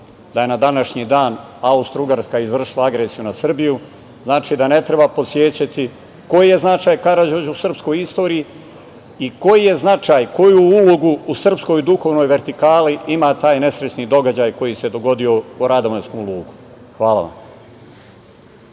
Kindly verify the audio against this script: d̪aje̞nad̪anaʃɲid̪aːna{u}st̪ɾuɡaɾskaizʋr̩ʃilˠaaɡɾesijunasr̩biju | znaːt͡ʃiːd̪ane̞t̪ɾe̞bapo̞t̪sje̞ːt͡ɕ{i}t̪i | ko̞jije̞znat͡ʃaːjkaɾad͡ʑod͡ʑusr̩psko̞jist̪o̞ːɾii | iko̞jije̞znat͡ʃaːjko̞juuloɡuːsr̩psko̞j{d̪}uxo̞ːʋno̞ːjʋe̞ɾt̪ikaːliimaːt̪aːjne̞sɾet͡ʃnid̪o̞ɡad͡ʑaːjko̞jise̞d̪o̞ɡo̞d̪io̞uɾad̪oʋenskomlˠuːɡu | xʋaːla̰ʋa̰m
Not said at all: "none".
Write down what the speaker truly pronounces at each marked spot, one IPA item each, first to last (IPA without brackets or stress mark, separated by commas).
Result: u, a, d̪